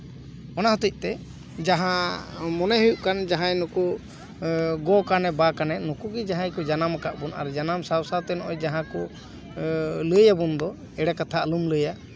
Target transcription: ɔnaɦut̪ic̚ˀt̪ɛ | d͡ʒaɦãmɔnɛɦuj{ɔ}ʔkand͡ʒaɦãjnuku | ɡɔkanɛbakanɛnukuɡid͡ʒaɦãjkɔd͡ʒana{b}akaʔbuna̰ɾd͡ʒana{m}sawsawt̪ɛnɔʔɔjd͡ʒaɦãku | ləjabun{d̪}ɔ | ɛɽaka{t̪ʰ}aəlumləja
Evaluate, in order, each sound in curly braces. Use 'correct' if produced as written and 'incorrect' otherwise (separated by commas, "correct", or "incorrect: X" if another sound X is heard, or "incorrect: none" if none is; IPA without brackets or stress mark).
incorrect: u, incorrect: m, correct, correct, correct